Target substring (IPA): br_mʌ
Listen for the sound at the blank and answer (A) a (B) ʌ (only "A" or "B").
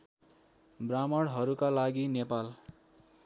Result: A